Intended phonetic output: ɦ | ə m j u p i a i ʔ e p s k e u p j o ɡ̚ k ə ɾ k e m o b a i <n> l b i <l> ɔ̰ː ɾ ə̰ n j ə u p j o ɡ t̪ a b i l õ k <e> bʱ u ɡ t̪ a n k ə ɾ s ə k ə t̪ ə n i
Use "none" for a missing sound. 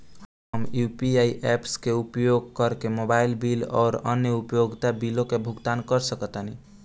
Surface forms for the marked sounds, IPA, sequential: none, l, e

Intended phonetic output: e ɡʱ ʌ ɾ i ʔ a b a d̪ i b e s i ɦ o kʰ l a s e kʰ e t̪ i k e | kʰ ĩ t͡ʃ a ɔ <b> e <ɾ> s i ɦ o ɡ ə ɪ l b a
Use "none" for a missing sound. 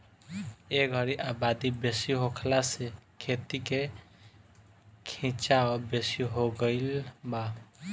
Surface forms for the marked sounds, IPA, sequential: b, none

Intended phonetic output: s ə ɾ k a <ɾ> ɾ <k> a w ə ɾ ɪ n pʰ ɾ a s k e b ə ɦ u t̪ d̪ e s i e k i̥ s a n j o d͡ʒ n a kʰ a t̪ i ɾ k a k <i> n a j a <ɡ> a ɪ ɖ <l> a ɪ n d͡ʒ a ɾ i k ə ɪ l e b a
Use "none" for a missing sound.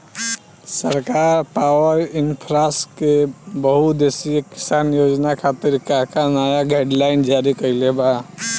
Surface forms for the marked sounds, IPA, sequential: ɾ, p, a, ɡ, l

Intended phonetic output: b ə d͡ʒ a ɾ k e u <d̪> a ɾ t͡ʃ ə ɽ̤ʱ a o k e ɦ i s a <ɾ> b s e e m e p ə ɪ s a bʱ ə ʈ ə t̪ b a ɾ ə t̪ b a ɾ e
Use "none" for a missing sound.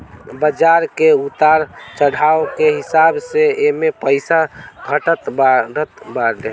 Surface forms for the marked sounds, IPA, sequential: t̪, none

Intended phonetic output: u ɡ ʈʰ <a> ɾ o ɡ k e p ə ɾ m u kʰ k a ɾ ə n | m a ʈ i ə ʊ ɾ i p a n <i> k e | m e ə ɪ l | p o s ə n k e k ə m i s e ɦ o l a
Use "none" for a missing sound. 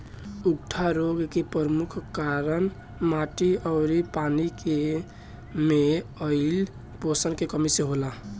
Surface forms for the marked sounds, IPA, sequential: a, i

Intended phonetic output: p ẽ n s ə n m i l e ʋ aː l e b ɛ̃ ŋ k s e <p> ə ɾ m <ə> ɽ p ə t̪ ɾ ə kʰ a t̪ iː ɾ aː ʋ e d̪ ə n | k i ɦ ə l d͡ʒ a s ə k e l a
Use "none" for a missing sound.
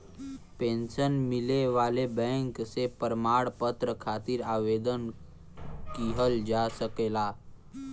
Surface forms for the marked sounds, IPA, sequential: p, a

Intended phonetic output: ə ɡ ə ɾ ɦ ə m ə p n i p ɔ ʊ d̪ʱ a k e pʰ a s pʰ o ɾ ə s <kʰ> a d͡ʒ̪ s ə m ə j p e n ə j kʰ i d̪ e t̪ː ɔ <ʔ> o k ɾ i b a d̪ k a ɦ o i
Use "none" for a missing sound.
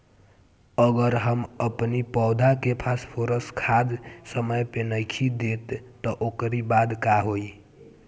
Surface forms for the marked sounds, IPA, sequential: kʰ, ʔ

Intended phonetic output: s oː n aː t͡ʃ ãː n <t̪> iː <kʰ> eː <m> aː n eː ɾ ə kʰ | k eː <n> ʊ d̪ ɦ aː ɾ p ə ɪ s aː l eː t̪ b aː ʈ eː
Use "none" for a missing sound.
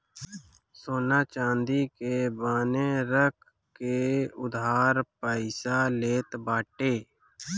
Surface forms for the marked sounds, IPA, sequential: d̪, k, b, none

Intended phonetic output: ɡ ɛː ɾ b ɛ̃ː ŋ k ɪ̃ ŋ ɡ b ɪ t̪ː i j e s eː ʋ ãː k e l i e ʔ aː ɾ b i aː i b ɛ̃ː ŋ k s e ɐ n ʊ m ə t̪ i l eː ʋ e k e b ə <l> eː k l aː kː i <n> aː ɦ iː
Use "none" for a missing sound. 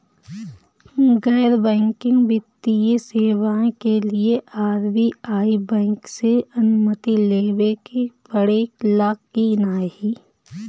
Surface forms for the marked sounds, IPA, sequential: ɽ, n

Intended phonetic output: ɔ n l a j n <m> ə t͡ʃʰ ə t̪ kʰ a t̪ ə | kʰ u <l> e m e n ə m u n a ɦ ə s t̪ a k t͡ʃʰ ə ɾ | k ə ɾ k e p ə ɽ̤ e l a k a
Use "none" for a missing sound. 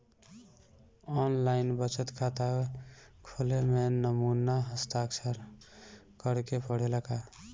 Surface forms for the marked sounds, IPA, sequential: b, l

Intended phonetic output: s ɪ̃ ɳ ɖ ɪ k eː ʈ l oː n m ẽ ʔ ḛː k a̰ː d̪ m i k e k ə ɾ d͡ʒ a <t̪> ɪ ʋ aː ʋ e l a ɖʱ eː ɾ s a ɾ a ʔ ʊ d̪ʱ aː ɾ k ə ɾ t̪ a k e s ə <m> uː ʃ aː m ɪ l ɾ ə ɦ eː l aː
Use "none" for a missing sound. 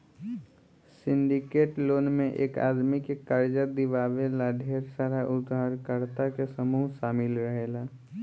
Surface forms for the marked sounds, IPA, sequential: d̪, m

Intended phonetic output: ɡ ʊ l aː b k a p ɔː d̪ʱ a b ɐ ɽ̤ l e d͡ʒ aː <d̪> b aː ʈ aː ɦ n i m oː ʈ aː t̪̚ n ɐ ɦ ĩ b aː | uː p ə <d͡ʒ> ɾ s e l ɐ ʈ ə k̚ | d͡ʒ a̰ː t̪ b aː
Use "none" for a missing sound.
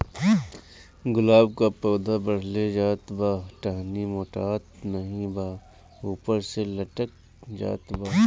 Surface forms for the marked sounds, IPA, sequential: t̪, none

